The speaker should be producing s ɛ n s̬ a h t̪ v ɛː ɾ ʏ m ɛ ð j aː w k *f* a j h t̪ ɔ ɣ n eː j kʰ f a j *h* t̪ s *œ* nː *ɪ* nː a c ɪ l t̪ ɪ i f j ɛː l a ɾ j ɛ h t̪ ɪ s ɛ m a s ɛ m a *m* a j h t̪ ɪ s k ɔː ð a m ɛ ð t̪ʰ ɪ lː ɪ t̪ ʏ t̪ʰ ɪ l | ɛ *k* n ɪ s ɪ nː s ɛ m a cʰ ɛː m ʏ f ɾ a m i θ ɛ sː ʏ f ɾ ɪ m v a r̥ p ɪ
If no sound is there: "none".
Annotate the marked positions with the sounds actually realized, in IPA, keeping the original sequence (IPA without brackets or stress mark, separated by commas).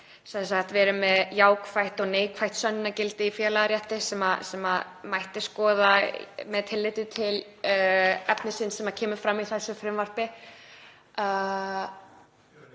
f, h, œ, ɪ, m, p